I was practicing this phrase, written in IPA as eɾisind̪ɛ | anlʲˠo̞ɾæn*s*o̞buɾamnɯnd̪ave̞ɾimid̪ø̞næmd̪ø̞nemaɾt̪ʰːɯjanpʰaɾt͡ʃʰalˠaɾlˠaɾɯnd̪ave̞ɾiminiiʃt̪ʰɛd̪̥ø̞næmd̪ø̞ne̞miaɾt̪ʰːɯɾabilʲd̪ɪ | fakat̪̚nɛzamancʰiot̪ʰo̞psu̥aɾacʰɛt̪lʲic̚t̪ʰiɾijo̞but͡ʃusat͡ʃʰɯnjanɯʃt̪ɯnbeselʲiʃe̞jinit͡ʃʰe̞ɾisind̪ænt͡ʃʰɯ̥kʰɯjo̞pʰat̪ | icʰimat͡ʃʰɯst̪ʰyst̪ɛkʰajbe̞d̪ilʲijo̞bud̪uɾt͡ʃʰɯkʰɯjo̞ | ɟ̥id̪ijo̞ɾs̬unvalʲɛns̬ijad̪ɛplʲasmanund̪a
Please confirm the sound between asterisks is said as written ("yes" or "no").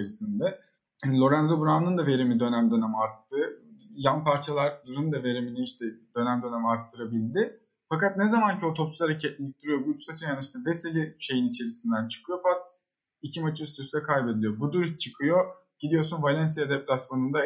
no